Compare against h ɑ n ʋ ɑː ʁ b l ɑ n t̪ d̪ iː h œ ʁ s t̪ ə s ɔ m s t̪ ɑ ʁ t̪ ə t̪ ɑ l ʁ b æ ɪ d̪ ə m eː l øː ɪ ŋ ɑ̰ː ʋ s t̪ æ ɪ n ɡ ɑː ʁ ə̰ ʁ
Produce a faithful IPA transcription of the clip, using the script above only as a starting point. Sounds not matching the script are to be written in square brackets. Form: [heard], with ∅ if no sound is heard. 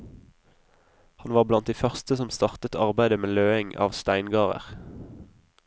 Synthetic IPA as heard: h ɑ n ʋ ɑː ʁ b l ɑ n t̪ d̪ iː [f] œ ʁ s t̪ ə s ɔ m s t̪ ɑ ʁ t̪ ə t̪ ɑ [∅] ʁ b æ ɪ d̪ ə m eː l øː ɪ ŋ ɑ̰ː ʋ s t̪ æ ɪ n ɡ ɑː ʁ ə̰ ʁ